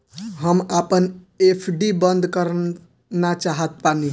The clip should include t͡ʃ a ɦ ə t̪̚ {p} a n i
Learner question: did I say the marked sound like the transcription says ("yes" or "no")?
yes